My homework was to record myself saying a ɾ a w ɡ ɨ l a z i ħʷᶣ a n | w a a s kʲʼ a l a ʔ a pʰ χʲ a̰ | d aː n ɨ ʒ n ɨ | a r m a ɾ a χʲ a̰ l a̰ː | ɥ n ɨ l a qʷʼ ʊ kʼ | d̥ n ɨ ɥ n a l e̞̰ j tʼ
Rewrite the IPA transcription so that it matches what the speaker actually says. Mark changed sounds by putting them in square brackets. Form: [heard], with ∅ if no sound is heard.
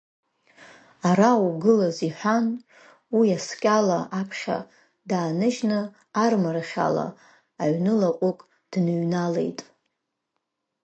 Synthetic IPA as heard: a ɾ a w ɡ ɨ l a z i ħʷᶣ a n | w [i] a s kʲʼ a l a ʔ a pʰ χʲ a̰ | d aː n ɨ ʒ n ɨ | a r m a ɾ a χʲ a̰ l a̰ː | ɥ n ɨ l a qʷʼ ʊ kʼ | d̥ n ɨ ɥ n a l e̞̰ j tʼ